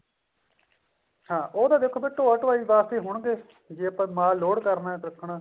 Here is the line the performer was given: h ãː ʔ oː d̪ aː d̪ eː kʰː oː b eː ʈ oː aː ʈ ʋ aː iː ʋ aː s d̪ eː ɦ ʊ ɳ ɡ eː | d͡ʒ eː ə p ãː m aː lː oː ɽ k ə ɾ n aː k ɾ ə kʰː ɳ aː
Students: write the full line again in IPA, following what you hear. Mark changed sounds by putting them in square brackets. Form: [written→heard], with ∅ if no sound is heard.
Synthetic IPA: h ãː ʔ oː d̪ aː d̪ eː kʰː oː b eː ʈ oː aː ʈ ʋ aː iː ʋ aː s [d̪→t̪] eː ɦ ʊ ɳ ɡ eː | d͡ʒ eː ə p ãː m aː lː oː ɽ k ə ɾ n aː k ɾ ə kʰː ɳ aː